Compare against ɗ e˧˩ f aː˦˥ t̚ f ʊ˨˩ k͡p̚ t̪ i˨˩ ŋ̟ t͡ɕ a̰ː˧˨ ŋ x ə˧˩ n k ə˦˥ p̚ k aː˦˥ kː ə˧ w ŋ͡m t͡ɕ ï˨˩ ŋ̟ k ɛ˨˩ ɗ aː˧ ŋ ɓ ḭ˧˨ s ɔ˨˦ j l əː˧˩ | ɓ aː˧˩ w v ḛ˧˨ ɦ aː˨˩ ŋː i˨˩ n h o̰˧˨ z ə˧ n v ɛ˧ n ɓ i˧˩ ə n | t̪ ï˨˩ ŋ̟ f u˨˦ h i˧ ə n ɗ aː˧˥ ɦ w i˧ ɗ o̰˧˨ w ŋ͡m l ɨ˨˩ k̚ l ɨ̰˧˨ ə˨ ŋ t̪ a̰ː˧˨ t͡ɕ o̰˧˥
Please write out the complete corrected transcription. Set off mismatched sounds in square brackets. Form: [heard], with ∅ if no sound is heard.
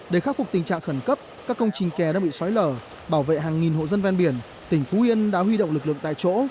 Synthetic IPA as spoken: ɗ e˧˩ [x] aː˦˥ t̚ f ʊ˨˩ k͡p̚ t̪ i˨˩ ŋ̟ t͡ɕ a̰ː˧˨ ŋ x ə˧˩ n k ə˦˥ p̚ k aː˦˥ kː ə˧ w ŋ͡m t͡ɕ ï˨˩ ŋ̟ k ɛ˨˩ ɗ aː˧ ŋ ɓ ḭ˧˨ s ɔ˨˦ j l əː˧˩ | ɓ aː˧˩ w v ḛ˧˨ ɦ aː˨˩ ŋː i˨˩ n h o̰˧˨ z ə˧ n v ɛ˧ n ɓ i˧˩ ə n | t̪ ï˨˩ ŋ̟ f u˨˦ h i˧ ə n ɗ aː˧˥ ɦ w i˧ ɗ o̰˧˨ w ŋ͡m l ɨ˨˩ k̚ l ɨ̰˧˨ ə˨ ŋ t̪ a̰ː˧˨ t͡ɕ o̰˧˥